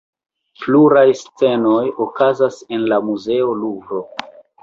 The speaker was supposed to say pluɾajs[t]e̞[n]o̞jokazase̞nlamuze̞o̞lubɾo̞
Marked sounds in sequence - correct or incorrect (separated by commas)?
incorrect, correct